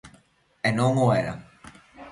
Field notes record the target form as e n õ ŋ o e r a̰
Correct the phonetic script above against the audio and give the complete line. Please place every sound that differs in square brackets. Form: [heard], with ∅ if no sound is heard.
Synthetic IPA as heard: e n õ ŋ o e [ɾ] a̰

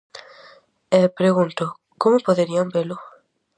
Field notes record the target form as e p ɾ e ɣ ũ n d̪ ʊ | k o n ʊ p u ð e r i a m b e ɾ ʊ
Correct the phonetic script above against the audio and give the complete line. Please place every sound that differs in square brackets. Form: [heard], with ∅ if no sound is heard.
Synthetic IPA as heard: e p ɾ e ɣ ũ n [t̪] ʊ | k o [m] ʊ p [o] ð e [ɾ] i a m b e [l] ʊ

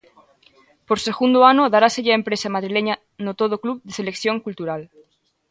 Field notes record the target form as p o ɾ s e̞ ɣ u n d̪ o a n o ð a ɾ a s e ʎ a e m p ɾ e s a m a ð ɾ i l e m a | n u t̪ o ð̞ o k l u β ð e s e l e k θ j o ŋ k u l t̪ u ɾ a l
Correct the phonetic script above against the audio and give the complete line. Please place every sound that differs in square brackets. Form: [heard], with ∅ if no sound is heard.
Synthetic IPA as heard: p o ɾ s e̞ ɣ u n d̪ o a n o ð a ɾ a s e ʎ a e m p ɾ e s a m a ð ɾ i l e [ɲ] a | n [o] t̪ o ð̞ o k l u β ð e s e l e k θ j o ŋ k u l t̪ u ɾ a l

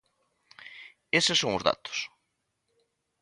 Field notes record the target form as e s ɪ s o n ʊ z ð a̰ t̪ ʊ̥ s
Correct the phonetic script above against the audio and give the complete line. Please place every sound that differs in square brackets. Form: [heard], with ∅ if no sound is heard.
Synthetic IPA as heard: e s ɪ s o [ŋ] ʊ z ð a̰ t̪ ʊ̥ s

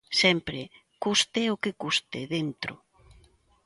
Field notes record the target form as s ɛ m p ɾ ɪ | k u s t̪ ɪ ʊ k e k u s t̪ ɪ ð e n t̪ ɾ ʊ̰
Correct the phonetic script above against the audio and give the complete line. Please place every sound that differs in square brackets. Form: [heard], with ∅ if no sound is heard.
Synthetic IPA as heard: s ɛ m p ɾ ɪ | k u s t̪ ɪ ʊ k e k u s t̪ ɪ ð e n t̪ ɾ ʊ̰

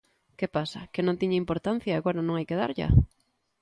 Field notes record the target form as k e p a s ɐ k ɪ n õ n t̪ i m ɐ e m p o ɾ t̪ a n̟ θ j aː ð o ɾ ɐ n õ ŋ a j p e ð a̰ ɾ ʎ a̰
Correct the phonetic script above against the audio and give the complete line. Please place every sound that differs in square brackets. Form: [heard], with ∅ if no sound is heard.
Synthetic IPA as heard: k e p a s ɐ k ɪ n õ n t̪ i [ɲ] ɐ [i] m p o ɾ t̪ a n̟ θ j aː [ɣ] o ɾ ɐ n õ ŋ a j [k] e ð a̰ ɾ ʎ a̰

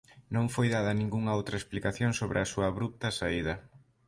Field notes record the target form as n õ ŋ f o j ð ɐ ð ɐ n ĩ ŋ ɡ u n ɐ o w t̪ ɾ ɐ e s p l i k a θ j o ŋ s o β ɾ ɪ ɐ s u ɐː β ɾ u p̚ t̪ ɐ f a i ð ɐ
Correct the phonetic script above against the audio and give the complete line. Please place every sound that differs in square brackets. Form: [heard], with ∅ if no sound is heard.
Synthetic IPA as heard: n õ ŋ f o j ð [a] ð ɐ n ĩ ŋ ɡ u [ŋ] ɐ o w t̪ ɾ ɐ e s p l i k a θ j o ŋ s o β ɾ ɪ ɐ s u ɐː β ɾ u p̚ t̪ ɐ [s] a i ð ɐ

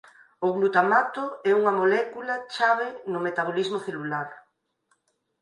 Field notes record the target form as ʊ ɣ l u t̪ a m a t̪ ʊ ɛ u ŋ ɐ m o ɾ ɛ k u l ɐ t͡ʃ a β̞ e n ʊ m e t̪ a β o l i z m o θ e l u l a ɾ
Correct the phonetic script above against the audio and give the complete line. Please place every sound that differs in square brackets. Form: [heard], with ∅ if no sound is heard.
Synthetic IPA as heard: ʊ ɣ l u t̪ a m a t̪ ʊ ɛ u ŋ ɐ m o [l] ɛ k u l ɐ t͡ʃ a β̞ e n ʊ m e t̪ a β o l i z m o θ e l u l a ɾ

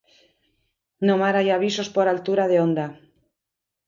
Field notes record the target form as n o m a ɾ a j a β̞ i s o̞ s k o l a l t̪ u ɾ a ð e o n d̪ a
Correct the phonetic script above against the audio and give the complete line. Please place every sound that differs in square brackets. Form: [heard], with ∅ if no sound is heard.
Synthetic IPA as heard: n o m a ɾ a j a β̞ i s o̞ s [p] o [ɾ] a l t̪ u ɾ a ð e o n d̪ a

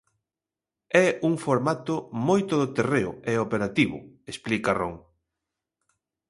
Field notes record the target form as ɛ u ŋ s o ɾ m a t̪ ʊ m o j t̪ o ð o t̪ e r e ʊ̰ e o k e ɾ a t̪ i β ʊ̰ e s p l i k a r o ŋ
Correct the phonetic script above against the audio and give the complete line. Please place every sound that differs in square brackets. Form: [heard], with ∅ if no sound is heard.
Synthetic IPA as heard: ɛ u ŋ [f] o ɾ m a t̪ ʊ m o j t̪ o ð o t̪ e r e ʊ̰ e o [p] e ɾ a t̪ i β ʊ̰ e s p l i k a r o ŋ

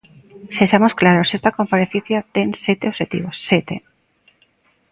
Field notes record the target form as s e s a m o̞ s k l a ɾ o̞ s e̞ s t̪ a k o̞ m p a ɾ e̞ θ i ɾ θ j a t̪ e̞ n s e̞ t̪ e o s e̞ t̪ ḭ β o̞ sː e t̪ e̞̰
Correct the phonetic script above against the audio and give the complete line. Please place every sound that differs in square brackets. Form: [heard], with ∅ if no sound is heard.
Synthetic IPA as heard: s e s a m o̞ s k l a ɾ o̞ s e̞ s t̪ a k o̞ m p a ɾ e̞ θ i [∅] θ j a t̪ e̞ n s e̞ t̪ e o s e̞ t̪ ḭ β o̞ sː e t̪ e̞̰

